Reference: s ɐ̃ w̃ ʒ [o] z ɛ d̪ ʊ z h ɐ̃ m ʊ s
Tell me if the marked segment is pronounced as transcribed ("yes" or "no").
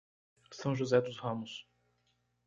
no